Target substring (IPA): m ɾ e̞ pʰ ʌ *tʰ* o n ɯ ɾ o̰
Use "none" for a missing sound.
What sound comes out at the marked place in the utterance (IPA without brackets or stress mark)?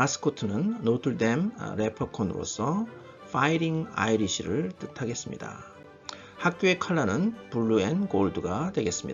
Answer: kʰ